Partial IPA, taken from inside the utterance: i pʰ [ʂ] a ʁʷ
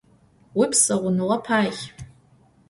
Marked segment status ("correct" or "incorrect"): incorrect